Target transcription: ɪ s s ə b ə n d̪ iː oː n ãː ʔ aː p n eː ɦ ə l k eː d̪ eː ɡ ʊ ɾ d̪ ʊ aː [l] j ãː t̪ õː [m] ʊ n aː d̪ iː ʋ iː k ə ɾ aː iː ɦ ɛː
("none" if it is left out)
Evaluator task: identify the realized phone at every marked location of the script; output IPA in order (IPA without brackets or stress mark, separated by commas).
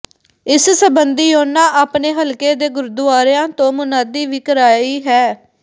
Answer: ɾ, m